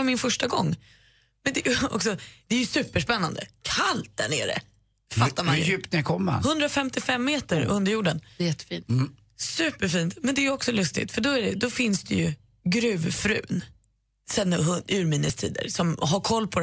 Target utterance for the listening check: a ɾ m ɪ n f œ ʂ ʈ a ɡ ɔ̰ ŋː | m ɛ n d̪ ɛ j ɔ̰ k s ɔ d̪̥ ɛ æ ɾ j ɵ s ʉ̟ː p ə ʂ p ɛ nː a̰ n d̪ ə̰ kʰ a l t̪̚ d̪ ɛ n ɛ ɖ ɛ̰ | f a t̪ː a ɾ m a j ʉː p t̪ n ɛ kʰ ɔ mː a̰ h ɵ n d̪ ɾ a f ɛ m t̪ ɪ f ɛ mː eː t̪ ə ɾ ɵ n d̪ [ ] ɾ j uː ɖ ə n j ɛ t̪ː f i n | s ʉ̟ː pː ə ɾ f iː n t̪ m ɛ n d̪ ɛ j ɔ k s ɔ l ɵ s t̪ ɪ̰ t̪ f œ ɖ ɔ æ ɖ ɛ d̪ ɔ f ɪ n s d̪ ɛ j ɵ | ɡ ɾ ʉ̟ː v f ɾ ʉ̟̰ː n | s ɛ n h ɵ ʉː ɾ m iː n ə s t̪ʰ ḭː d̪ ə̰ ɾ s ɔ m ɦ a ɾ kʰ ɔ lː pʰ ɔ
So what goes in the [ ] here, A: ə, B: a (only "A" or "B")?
A